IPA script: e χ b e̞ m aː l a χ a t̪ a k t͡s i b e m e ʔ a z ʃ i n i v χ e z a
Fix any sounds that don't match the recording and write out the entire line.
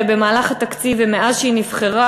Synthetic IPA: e b e̞ m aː l a χ a t̪ a k t͡s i v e m e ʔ a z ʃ i n i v χ e ʁ a